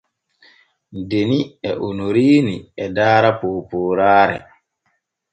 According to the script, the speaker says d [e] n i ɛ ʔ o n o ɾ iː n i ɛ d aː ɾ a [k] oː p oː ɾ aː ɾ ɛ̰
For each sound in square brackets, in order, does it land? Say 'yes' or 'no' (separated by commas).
yes, no